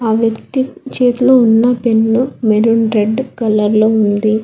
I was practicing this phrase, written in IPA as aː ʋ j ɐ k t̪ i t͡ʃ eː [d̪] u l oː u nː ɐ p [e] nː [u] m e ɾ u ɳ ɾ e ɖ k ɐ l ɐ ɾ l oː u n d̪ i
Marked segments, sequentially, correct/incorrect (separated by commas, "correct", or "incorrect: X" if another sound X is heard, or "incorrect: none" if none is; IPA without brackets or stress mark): incorrect: t̪, correct, correct